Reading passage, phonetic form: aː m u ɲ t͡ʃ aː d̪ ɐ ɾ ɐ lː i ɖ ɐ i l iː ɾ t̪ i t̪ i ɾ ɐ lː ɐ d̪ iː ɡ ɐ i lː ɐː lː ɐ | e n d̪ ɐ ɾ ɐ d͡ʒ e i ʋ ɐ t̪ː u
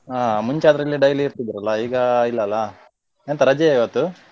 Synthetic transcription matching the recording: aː m u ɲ t͡ʃ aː d̪ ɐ ɾ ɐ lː i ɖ ɐ j l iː ɾ t̪ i d̪ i ɾ ɐ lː ɐ iː ɡ ɐ i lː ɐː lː ɐ | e n t̪ ɐ ɾ ɐ d͡ʒ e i ʋ ɐ t̪ː u